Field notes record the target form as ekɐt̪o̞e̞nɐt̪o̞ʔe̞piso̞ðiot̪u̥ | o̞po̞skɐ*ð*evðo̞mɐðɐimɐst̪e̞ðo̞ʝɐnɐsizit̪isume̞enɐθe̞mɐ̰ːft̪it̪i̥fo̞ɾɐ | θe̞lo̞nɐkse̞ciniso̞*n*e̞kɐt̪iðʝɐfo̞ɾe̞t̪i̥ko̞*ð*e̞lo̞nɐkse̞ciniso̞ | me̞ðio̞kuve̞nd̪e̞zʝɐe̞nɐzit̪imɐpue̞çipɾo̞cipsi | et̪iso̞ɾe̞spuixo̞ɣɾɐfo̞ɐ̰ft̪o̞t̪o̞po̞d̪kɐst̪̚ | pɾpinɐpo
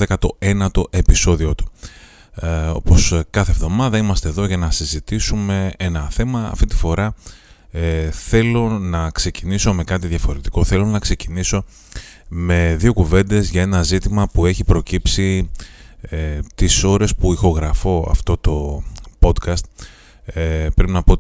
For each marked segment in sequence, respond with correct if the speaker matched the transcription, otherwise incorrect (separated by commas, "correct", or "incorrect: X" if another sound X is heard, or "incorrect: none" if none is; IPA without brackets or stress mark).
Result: incorrect: θ, incorrect: m, incorrect: θ